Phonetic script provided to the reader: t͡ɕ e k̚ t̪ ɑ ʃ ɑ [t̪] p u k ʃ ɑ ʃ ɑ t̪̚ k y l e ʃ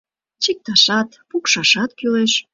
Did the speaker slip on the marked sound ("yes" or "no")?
no